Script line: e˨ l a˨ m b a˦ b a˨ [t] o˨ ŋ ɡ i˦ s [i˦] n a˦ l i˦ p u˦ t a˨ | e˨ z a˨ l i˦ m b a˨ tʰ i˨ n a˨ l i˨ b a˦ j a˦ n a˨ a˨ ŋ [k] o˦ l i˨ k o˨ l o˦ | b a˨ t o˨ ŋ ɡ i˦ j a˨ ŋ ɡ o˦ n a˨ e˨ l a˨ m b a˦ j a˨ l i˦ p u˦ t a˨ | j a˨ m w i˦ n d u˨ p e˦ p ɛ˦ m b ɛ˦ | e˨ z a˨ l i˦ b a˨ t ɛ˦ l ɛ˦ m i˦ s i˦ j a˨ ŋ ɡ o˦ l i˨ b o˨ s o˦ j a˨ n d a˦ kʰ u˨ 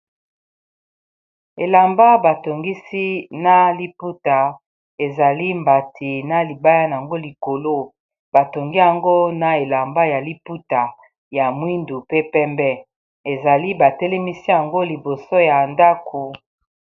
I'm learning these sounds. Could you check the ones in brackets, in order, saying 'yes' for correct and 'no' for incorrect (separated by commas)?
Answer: yes, yes, no